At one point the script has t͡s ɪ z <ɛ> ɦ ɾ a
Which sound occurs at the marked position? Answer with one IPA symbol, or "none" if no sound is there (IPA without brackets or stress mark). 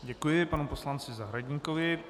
a